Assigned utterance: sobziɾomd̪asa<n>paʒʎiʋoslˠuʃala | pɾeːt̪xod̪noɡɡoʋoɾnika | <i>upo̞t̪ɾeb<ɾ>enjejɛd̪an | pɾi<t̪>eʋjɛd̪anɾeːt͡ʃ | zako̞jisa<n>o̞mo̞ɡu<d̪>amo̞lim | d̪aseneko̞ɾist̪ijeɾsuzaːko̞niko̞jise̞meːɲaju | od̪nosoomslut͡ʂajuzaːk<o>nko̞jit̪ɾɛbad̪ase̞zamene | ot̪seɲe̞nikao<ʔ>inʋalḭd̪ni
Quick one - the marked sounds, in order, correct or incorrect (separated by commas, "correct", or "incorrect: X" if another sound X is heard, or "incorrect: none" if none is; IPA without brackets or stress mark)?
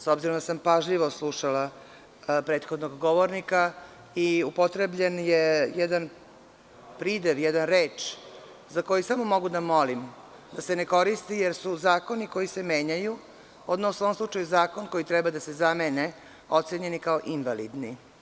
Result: incorrect: m, correct, incorrect: ʎ, incorrect: d̪, incorrect: m, correct, correct, correct